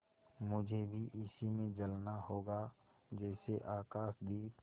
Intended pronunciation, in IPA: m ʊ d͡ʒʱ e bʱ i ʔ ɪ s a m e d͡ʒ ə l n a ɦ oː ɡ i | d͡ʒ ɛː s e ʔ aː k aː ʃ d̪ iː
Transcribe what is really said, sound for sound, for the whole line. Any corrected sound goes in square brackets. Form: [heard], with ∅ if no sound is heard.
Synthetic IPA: m ʊ d͡ʒʱ e bʱ i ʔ ɪ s [i] m [ẽ] d͡ʒ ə l n a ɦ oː ɡ [a] | d͡ʒ ɛː s e ʔ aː k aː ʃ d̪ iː